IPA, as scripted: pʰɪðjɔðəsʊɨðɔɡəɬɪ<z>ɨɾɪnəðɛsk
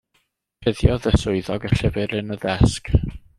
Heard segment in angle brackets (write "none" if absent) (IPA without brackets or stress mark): v